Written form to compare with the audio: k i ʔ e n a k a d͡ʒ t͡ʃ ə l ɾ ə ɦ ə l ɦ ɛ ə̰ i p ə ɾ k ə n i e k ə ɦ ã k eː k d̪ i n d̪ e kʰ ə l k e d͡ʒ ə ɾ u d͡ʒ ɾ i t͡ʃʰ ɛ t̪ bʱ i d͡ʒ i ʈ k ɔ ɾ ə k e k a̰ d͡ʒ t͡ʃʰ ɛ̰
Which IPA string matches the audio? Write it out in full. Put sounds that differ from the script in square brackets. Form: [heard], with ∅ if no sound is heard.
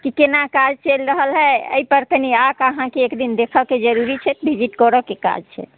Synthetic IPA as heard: k i [k] e n a k a d͡ʒ t͡ʃ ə l ɾ ə ɦ ə l ɦ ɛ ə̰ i p ə ɾ k ə n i [a] k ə ɦ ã k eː k d̪ i n d̪ e kʰ ə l k e d͡ʒ ə ɾ u [∅] ɾ i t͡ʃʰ ɛ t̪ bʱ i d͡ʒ i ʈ k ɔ ɾ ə k e k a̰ d͡ʒ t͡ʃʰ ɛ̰